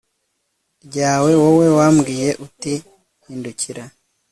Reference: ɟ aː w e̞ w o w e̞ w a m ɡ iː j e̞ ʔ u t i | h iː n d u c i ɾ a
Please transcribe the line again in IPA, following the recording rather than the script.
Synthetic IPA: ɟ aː w e̞ w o w e̞ w a m ɡ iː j e̞ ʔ u t i | h iː n d u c i ɾ a